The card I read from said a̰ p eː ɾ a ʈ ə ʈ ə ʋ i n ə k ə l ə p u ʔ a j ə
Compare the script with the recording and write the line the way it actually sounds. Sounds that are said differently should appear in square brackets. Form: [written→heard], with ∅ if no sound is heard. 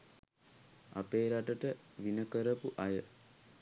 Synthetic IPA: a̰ p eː ɾ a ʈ ə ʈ ə ʋ i n ə k ə [l→ɾ] ə p u ʔ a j ə